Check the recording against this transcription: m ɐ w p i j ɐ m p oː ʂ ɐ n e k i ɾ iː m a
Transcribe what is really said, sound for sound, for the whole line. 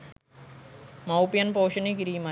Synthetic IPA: m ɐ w p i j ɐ n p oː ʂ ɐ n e k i ɾ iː m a